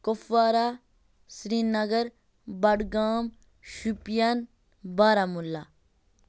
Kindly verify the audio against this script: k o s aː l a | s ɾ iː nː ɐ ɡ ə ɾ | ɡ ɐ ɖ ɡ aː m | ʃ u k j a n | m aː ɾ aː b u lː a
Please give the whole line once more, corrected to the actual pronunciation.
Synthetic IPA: k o f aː ɾ a | s ɾ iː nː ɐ ɡ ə ɾ | b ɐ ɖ ɡ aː m | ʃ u p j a n | b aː ɾ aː m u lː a